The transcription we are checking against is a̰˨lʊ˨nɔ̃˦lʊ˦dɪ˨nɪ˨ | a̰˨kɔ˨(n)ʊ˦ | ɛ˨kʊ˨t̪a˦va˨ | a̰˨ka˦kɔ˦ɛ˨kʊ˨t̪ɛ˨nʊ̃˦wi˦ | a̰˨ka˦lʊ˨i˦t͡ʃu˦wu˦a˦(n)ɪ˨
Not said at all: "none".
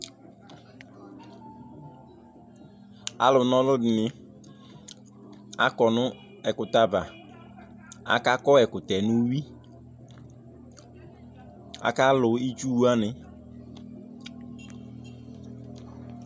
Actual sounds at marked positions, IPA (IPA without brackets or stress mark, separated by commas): n, n